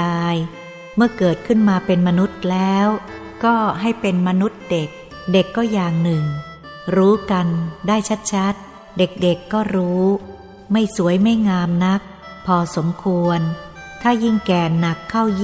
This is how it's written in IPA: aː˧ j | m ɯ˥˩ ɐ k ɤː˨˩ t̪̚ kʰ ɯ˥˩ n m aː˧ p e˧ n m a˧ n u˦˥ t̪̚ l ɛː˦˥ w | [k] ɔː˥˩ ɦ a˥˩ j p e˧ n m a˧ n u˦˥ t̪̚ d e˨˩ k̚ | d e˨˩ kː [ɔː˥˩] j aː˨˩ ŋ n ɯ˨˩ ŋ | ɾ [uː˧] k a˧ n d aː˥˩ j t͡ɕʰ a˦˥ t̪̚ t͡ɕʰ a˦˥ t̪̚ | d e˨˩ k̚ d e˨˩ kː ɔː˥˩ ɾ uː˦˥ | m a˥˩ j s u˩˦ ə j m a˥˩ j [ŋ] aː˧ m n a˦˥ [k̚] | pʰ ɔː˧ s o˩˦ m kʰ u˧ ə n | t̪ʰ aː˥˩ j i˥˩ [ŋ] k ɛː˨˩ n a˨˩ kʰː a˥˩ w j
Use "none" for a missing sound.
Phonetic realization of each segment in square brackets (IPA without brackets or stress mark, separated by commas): k, ɔː˥˩, uː˦˥, ŋ, k̚, ŋ